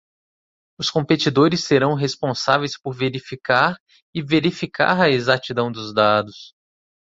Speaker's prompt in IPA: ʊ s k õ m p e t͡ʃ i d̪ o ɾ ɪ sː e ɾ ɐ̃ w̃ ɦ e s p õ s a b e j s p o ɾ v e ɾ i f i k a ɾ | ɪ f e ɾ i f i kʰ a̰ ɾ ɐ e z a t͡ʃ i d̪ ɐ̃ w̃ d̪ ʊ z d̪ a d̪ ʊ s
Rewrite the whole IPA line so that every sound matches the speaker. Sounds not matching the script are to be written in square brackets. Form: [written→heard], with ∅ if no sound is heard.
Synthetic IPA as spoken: ʊ s k õ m p e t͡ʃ i d̪ o ɾ ɪ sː e ɾ ɐ̃ w̃ ɦ e s p õ s a [b→v] e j s p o ɾ v e ɾ i f i k a ɾ | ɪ [f→v] e ɾ i f i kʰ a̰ ɾ ɐ e z a t͡ʃ i d̪ ɐ̃ w̃ d̪ ʊ z d̪ a d̪ ʊ s

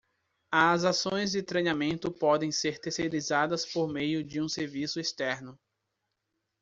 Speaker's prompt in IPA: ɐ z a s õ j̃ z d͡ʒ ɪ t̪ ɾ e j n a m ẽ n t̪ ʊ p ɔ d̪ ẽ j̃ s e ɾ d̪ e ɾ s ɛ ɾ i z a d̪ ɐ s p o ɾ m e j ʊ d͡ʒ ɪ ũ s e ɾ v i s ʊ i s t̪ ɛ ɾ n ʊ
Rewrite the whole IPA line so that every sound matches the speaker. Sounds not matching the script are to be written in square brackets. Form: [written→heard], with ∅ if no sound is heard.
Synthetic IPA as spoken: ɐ z a s õ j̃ z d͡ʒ ɪ t̪ ɾ e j n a m ẽ n t̪ ʊ p ɔ d̪ ẽ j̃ s e ɾ [d̪→t̪] e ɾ s [ɛ→e] ɾ i z a d̪ ɐ s p o ɾ m e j ʊ d͡ʒ ɪ ũ s e ɾ v i s ʊ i s t̪ ɛ ɾ n ʊ

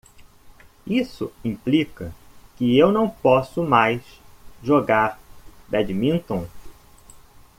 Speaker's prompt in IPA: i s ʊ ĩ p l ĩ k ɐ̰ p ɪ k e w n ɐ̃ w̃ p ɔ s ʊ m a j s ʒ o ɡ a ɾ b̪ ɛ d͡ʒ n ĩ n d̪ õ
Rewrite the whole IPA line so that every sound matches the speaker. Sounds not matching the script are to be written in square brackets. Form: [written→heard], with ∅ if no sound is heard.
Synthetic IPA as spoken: i s ʊ ĩ p l [ĩ→i] k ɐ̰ [p→k] ɪ [k→∅] e w n ɐ̃ w̃ p ɔ s ʊ m a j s ʒ o ɡ a ɾ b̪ ɛ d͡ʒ [n→m] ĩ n [d̪→t̪] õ

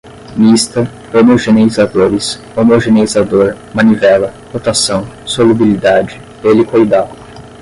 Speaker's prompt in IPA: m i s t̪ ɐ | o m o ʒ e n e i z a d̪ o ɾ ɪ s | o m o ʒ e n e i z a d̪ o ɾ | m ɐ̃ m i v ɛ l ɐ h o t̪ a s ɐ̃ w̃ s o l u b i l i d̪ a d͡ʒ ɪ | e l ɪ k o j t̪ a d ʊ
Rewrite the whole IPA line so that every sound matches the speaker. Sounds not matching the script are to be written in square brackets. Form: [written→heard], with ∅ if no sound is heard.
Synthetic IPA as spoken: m i s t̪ ɐ | o m o ʒ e n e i z a d̪ o ɾ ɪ s | o m o ʒ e n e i z a d̪ o ɾ | m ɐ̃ [m→n] i v ɛ l ɐ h o t̪ a s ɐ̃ w̃ s o l u b i l i d̪ a d͡ʒ ɪ | e l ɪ k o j [t̪→d̪] a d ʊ

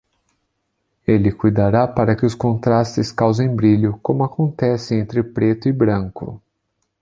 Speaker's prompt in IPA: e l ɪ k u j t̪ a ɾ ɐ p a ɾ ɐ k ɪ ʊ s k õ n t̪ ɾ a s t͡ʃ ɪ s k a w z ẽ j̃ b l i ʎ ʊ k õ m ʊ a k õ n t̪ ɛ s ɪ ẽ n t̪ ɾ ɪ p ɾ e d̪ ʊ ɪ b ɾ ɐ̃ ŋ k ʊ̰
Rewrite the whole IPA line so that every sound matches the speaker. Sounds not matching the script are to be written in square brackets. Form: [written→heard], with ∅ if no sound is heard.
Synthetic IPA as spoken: e l ɪ k u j [t̪→d̪] a ɾ [ɐ→a] p a ɾ ɐ k ɪ ʊ s k õ n t̪ ɾ a s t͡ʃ ɪ s k a w z ẽ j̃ b [l→ɾ] i ʎ ʊ k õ m ʊ a k õ n t̪ ɛ s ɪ ẽ n t̪ ɾ ɪ p ɾ e [d̪→t̪] ʊ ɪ b ɾ ɐ̃ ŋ k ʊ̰

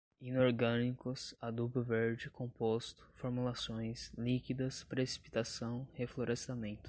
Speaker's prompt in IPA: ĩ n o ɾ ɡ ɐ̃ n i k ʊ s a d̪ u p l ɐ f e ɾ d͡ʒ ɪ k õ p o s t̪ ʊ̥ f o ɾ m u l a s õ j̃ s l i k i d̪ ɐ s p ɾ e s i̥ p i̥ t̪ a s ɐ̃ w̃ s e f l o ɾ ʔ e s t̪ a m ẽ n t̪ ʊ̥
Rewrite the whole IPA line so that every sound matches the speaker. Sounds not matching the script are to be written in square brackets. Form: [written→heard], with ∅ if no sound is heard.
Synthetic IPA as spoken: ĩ n o ɾ ɡ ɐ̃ n i k ʊ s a d̪ u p l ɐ [f→v] e ɾ d͡ʒ ɪ k õ p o s t̪ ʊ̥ f o ɾ m u l a s õ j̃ s l i k i d̪ ɐ s p ɾ e s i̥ p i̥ t̪ a s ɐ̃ w̃ [s→h] e f l o ɾ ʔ e s t̪ a m ẽ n t̪ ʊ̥

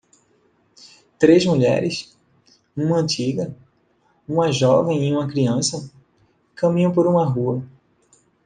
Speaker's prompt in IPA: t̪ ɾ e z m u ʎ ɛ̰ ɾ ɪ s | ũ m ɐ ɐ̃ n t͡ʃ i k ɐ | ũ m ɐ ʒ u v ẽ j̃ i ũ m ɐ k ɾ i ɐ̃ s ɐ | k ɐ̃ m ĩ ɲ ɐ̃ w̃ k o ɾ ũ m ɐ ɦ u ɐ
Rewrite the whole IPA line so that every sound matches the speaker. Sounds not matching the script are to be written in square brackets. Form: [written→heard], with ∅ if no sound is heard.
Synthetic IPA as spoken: t̪ ɾ e z m u ʎ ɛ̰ ɾ ɪ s | ũ m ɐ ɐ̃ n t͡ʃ i [k→ɡ] ɐ | ũ m ɐ ʒ [u→ɔ] v ẽ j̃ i ũ m ɐ k ɾ i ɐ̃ s ɐ | k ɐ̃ m ĩ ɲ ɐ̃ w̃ [k→p] o ɾ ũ m ɐ ɦ u ɐ

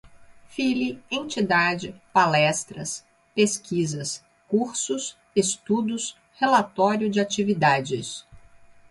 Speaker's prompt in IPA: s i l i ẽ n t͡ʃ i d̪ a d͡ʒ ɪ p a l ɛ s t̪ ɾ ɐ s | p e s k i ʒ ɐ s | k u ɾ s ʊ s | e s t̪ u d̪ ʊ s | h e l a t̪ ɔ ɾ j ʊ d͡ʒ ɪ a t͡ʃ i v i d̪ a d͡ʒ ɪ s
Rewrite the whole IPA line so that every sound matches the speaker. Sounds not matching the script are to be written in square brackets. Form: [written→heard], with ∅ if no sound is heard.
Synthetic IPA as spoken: [s→f] i l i ẽ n t͡ʃ i d̪ a d͡ʒ ɪ p a l ɛ s t̪ ɾ ɐ s | p e s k i [ʒ→z] ɐ s | k u ɾ s ʊ s | e s t̪ u d̪ ʊ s | h e l a t̪ ɔ ɾ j ʊ d͡ʒ ɪ a t͡ʃ i v i d̪ a d͡ʒ ɪ s

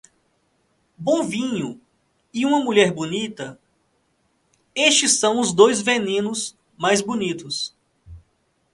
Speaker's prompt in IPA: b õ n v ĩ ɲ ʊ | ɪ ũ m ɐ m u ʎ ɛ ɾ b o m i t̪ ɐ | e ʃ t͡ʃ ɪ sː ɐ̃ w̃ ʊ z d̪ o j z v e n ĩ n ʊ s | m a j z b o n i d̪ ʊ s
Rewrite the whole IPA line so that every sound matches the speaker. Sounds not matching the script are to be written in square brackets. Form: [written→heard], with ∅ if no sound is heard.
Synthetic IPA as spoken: b õ [n→∅] v ĩ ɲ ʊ | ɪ ũ m ɐ m u ʎ ɛ ɾ b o [m→n] i t̪ ɐ | e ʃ t͡ʃ ɪ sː ɐ̃ w̃ ʊ z d̪ o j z v e n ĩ n ʊ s | m a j z b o n i [d̪→t̪] ʊ s

